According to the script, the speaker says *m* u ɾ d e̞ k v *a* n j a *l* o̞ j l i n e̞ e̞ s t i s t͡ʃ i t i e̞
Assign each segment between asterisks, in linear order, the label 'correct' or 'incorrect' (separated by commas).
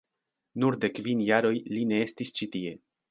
incorrect, incorrect, incorrect